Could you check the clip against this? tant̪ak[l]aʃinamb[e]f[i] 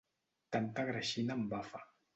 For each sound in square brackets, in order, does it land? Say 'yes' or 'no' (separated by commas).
no, no, no